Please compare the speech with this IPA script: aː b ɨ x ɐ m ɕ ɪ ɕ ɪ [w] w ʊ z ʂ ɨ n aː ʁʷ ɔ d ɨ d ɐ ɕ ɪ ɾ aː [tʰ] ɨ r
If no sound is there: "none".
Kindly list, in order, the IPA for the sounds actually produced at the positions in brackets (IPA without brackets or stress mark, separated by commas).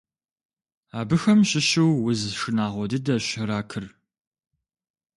w, kʰ